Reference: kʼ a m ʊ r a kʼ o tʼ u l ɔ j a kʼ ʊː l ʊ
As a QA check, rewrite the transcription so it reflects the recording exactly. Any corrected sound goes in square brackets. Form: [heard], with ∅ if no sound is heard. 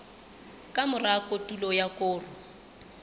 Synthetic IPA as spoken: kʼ a m ʊ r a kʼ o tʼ u l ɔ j a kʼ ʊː [r] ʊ